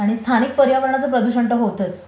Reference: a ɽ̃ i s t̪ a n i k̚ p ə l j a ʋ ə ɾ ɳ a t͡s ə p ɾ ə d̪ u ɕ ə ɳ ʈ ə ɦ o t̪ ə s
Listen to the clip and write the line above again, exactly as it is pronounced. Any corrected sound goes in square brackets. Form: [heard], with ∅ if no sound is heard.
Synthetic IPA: a ɽ̃ i s [t̪ʰ] a n i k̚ p ə [ɾ] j a ʋ ə ɾ ɳ a t͡s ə p ɾ ə d̪ u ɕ ə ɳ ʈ ə ɦ o t̪ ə [t͡s]

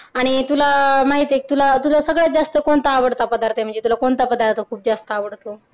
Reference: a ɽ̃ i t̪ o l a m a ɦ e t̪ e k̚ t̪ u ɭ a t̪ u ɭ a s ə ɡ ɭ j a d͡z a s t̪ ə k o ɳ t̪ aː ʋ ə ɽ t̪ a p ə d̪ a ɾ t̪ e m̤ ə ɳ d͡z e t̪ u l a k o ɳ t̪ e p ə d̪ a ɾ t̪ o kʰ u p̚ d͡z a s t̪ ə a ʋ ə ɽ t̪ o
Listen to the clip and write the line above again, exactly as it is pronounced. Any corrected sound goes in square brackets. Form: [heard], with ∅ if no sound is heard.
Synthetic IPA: a ɽ̃ i t̪ [u] l a m a ɦ [i] t̪ e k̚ t̪ u [l] a t̪ u [l] a s ə ɡ ɭ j a d͡z a s t̪ ə k o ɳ t̪ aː ʋ ə ɽ t̪ a p ə d̪ a ɾ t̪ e m̤ ə ɳ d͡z e t̪ u l a k o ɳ t̪ [a] p ə d̪ a ɾ t̪ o kʰ [uː] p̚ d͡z a s t̪ ə a ʋ ə ɽ t̪ o

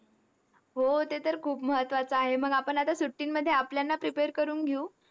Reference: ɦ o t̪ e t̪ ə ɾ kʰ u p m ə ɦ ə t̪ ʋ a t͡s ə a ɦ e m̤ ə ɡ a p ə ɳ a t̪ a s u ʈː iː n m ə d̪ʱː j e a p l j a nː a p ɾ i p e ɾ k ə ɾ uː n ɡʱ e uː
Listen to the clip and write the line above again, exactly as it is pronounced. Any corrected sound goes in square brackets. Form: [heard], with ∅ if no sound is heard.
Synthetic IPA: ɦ o t̪ e t̪ ə ɾ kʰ [uː] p m ə ɦ ə t̪ ʋ a t͡s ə a ɦ e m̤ ə ɡ a p ə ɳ a t̪ a s u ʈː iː n m ə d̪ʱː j e a p l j a nː a p ɾ i p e ɾ k ə ɾ uː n ɡʱ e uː

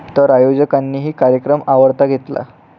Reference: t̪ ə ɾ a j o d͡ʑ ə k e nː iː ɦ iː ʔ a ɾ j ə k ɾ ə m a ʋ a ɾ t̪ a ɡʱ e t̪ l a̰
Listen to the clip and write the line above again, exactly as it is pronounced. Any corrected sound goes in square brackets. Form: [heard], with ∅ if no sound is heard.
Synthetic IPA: t̪ ə ɾ a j o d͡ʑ ə k [a] nː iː ɦ iː [k] a ɾ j ə k ɾ ə m a ʋ [ə] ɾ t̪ a ɡʱ e t̪ l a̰

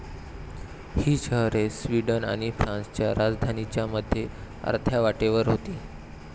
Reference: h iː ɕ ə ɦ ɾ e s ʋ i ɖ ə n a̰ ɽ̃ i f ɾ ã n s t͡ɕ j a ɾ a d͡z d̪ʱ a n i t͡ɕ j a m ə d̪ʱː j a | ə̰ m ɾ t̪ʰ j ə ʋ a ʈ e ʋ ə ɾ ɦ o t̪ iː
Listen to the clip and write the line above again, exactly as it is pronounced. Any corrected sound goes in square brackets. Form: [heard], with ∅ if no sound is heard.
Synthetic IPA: h iː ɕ ə ɦ ɾ e s ʋ i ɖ ə n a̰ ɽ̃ i f ɾ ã n s t͡ɕ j a ɾ a d͡z d̪ʱ a n i t͡ɕ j a m ə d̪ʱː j [e] | ə̰ [∅] ɾ t̪ʰ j [a] ʋ a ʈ e ʋ ə ɾ ɦ o t̪ iː

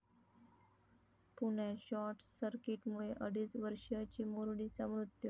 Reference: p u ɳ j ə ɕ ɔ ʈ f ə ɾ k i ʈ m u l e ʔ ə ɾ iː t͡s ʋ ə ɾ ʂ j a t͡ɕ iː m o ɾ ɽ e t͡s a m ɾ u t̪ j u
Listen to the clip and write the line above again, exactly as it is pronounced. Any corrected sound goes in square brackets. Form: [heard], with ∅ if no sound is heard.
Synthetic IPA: p u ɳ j [a] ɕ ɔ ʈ [s] ə ɾ k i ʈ m u [ɭ] e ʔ ə [ɽ] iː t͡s ʋ ə ɾ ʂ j a t͡ɕ iː m o ɾ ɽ [i] t͡s a m ɾ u t̪ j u

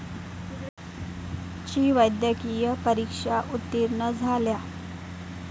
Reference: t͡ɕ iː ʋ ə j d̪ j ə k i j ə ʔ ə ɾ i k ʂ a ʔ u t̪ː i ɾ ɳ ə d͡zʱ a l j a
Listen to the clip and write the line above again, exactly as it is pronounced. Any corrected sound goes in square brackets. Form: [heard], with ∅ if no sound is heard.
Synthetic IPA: t͡ɕ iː ʋ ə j d̪ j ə k i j ə [p] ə ɾ i k ʂ a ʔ u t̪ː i ɾ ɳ ə d͡zʱ a l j a

